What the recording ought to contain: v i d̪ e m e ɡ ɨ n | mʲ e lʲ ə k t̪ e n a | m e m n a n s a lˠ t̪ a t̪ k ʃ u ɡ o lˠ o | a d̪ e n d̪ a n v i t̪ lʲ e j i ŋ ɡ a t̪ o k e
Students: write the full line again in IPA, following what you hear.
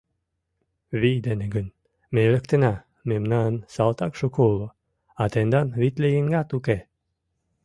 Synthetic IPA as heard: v i d̪ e n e ɡ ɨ n | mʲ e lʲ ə k t̪ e n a | m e m n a n s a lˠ t̪ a k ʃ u k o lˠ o | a t̪ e n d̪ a n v i t̪ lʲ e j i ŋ ɡ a t̪ u k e